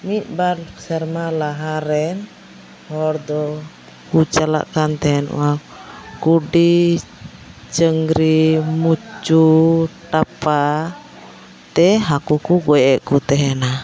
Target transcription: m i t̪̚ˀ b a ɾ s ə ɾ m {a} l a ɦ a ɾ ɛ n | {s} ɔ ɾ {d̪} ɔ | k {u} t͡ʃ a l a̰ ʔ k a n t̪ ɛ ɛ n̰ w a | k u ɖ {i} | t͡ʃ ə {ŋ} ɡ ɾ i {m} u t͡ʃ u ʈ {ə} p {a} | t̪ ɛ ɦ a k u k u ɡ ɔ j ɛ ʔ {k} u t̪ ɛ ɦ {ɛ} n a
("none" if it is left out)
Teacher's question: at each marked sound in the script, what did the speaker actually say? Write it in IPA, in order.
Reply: a, h, d̪, u, i, ŋ, m, a, a, k, ɛ

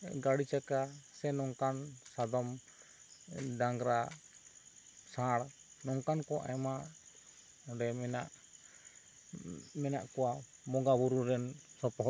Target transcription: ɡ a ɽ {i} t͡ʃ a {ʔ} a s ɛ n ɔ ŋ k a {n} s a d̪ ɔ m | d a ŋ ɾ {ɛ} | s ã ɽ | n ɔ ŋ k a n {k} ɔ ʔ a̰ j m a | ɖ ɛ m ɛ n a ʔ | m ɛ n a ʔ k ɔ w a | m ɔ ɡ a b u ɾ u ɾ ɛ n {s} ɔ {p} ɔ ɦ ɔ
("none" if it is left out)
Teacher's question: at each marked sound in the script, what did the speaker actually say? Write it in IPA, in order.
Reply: i, k, n, a, k, s, p

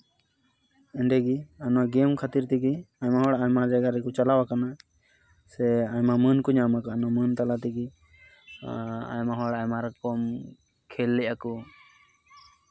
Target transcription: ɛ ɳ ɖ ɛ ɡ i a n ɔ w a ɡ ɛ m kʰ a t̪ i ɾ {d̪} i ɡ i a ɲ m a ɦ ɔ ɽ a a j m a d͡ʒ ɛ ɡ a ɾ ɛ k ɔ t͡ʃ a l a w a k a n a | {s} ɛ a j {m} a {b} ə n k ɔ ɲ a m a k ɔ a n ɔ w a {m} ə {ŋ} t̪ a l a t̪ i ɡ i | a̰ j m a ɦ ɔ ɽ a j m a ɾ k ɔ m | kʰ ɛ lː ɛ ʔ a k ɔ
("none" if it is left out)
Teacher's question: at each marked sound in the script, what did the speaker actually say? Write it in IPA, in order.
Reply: t̪, s, m, m, m, n

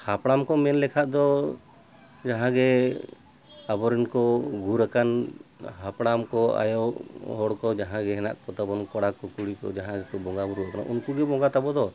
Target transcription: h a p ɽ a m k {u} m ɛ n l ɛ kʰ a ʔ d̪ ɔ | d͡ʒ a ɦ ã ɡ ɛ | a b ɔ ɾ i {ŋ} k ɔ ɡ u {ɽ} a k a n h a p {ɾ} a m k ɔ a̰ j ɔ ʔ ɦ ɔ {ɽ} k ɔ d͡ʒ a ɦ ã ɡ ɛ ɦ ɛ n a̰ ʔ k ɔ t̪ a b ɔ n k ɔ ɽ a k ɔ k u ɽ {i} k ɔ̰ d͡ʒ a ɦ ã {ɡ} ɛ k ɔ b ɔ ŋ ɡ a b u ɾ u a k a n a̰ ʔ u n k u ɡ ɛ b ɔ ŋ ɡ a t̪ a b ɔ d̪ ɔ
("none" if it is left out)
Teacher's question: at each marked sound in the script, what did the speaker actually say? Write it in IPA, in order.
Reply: ɔ, n, ɾ, ɽ, ɽ, i, ɡ

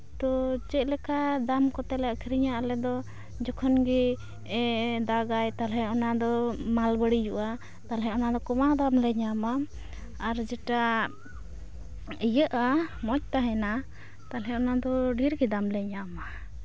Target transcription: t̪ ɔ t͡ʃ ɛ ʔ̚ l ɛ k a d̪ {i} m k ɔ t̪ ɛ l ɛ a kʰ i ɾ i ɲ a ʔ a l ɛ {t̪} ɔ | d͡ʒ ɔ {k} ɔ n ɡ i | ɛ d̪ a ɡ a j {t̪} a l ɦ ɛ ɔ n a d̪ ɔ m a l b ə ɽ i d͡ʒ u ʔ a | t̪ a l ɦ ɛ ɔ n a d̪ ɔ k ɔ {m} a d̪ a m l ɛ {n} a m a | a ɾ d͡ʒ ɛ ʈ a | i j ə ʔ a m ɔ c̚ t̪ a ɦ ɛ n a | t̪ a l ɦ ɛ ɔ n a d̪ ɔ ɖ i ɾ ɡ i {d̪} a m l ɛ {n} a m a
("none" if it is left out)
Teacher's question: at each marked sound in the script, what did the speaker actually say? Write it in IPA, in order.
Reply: a, d̪, kʰ, t̪, m, ɲ, d̪, ɲ

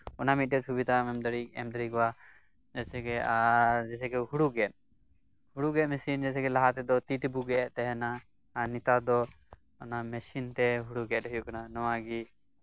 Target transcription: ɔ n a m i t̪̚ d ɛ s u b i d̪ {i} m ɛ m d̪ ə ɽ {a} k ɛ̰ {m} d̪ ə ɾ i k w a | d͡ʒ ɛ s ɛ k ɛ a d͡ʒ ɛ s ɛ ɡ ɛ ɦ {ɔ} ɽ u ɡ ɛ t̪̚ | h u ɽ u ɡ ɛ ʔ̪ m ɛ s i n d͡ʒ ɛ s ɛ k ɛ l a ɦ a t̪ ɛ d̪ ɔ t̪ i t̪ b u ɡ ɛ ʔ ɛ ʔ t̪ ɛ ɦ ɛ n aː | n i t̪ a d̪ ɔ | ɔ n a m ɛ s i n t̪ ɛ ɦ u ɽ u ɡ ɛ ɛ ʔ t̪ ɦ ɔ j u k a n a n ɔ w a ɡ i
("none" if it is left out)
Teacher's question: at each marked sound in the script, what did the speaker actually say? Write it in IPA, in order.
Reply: a, i, m, u

